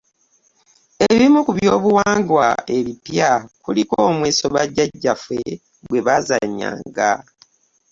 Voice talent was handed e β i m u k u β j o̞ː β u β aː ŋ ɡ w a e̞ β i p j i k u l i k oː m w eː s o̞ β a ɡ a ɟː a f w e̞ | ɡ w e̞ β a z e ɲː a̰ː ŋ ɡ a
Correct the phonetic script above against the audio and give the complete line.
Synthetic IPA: e β i m u k u β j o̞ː β u w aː ŋ ɡ w a e̞ β i p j a k u l i k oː m w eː s o̞ β a ɟ a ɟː a f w e̞ | ɡ w e̞ β a z a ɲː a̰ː ŋ ɡ a